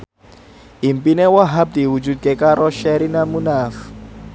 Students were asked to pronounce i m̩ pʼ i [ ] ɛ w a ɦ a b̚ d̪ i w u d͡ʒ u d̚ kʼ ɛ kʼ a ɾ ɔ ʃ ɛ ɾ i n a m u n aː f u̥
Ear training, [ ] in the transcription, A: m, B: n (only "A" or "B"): B